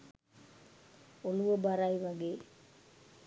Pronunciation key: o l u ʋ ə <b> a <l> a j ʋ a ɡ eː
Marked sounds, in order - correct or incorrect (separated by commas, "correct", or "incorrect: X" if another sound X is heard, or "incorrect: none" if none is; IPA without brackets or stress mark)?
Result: correct, incorrect: ɾ